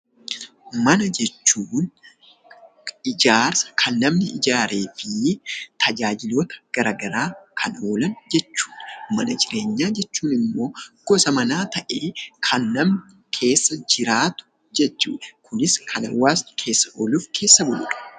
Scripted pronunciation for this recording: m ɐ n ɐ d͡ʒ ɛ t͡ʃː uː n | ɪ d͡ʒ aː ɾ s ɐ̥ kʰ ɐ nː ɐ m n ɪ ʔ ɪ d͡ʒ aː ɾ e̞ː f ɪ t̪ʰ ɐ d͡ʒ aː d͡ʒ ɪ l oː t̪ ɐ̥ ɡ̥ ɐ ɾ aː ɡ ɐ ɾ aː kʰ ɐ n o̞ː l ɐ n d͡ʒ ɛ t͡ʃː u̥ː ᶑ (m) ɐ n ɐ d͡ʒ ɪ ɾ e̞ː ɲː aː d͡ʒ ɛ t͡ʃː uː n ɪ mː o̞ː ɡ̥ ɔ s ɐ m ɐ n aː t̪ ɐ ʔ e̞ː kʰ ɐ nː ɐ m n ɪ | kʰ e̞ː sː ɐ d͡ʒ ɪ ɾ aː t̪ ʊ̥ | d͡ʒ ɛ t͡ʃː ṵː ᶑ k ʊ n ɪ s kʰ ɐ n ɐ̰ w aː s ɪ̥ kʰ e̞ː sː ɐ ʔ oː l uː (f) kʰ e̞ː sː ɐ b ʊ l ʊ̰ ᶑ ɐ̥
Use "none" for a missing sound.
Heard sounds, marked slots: m, f

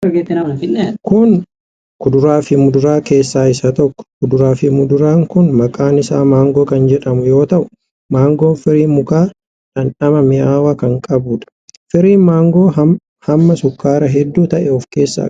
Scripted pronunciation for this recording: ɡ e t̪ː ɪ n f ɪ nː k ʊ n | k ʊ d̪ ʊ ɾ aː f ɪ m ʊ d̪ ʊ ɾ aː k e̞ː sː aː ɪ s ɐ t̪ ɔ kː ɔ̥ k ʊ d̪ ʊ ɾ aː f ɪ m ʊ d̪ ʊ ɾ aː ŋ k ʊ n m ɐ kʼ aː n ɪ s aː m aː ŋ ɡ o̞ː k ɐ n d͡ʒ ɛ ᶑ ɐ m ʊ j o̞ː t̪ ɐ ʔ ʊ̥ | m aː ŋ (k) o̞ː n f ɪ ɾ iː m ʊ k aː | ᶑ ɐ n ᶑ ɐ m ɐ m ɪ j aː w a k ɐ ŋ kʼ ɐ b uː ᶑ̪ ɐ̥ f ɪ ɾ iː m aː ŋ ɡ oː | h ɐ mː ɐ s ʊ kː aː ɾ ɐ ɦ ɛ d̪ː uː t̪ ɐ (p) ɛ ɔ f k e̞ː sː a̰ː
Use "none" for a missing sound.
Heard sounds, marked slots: ɡ, ʔ

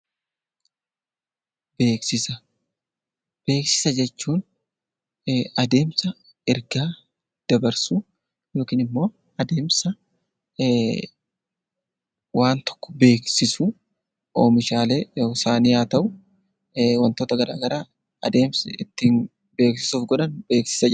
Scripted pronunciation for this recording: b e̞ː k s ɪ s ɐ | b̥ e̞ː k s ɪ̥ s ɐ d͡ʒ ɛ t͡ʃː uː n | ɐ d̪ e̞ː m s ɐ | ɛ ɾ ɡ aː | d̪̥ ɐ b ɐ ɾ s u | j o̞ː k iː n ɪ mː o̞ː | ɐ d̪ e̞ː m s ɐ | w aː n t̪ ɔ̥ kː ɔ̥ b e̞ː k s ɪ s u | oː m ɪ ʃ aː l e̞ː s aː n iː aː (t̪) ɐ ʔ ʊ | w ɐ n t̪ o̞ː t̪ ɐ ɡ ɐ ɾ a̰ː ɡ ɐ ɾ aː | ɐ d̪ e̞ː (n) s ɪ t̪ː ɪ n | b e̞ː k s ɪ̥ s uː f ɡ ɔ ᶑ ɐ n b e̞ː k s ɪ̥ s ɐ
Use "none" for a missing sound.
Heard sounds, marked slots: t̪, m

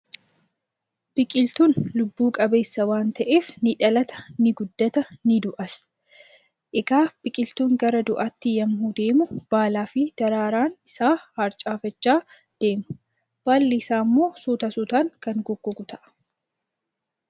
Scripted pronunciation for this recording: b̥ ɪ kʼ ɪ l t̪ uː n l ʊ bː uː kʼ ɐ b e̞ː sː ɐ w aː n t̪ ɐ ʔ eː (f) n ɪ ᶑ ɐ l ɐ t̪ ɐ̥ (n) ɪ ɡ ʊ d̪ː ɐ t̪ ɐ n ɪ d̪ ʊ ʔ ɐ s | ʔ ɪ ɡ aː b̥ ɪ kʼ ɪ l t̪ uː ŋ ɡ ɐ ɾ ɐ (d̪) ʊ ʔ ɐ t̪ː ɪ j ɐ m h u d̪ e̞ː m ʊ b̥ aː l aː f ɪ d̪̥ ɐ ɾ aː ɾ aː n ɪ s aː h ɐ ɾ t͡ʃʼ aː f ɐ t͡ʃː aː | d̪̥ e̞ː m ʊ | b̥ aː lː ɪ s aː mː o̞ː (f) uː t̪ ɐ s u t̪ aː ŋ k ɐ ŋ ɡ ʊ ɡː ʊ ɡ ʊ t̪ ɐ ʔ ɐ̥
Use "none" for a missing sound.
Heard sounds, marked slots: f, n, d̪, s

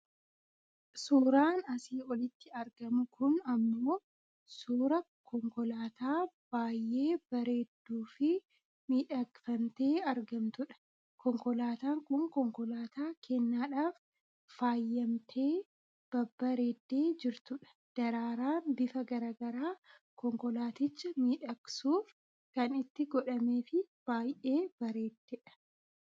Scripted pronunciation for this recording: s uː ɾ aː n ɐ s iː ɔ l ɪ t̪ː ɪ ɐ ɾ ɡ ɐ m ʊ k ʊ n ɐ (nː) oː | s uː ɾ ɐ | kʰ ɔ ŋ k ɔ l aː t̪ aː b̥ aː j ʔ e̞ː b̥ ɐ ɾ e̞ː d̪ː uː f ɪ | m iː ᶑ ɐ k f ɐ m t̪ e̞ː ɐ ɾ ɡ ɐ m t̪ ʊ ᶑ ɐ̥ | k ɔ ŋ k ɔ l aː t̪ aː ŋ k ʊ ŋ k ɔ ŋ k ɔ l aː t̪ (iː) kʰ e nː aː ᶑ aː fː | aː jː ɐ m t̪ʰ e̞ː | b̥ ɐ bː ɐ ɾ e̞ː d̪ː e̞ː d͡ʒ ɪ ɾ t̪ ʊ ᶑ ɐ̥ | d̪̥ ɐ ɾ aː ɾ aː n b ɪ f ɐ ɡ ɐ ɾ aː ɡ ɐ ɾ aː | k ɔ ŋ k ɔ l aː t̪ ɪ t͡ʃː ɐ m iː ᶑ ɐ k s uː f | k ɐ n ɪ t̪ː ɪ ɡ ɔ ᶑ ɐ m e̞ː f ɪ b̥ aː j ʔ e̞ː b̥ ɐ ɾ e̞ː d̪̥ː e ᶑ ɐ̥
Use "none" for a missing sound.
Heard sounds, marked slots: mː, aː

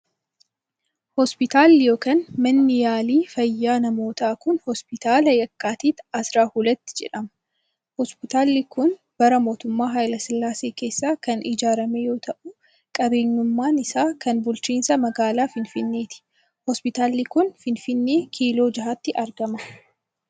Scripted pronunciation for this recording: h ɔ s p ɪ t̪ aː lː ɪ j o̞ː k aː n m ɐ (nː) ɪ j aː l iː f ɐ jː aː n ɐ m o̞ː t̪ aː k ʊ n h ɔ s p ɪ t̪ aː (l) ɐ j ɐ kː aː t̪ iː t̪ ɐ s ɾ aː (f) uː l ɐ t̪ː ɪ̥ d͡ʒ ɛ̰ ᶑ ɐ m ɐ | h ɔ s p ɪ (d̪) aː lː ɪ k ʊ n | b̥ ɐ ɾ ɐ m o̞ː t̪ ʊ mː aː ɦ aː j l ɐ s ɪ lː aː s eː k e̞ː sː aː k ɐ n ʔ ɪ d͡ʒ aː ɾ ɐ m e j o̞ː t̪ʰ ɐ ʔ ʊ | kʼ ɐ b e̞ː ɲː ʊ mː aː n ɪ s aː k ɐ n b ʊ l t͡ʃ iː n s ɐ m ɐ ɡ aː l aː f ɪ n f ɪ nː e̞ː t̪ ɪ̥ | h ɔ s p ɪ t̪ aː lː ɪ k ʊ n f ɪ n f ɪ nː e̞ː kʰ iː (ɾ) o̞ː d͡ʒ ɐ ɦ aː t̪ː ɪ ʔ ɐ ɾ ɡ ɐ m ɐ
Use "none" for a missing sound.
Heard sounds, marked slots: nː, l, h, t̪, l

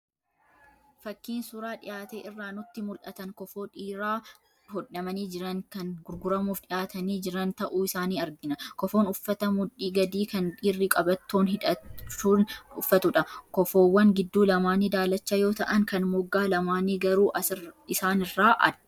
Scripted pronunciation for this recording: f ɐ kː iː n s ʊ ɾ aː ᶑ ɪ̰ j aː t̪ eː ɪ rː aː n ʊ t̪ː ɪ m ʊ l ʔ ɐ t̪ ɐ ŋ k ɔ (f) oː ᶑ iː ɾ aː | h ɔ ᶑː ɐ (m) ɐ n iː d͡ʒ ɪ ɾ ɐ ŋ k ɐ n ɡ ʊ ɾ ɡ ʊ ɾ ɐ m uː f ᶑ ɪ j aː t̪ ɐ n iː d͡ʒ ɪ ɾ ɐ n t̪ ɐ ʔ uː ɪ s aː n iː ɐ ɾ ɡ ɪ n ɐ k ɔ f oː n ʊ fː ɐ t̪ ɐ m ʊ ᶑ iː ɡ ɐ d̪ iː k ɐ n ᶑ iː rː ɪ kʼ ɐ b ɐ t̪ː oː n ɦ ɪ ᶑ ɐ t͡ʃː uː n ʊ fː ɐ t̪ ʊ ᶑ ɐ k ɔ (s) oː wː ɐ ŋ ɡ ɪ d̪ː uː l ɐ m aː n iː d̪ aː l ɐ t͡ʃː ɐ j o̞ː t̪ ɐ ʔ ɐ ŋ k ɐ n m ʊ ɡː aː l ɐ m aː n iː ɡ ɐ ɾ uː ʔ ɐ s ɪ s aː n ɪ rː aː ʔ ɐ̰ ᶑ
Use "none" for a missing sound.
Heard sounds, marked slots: f, m, f

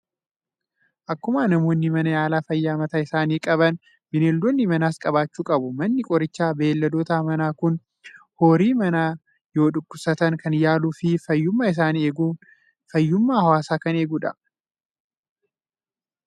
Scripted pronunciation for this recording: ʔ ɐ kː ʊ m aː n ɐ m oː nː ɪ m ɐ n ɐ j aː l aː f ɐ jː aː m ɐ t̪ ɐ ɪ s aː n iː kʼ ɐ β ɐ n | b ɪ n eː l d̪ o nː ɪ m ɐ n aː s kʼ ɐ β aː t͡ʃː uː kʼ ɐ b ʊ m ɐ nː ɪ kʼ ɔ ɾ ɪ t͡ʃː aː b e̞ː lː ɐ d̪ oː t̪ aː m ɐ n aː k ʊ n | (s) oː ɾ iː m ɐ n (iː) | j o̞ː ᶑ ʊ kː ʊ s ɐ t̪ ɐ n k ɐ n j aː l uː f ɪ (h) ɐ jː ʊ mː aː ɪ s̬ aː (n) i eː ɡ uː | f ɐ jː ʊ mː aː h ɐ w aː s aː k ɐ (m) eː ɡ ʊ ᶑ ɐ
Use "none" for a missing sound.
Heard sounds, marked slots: h, aː, f, n, n

